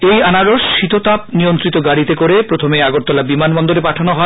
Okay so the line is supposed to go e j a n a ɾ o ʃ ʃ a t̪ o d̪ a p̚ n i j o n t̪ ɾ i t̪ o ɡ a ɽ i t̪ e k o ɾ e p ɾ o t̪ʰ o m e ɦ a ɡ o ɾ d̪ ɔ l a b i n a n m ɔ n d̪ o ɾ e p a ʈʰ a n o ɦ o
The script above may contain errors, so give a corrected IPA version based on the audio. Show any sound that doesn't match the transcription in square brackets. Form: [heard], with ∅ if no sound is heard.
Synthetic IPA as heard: e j a n a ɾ o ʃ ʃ [i] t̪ o [t̪] a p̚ n i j o n t̪ ɾ i t̪ o ɡ a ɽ i t̪ e k o ɾ e p ɾ o t̪ʰ o m e [∅] a ɡ o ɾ [t̪] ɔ l a b i [m] a n [b] ɔ n d̪ o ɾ e p a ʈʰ a n o ɦ [ɔ]